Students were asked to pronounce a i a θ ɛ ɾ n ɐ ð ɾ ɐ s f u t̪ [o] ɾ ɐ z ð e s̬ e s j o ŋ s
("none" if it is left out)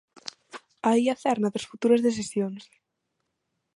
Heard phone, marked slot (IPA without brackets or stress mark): u